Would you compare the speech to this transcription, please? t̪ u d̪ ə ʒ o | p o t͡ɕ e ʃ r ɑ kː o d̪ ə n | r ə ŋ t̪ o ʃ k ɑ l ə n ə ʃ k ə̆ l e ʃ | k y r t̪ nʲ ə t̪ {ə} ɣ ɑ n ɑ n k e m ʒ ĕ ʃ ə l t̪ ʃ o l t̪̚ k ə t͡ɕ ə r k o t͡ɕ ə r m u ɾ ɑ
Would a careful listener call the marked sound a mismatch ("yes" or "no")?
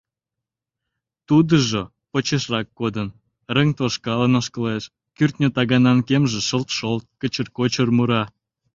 yes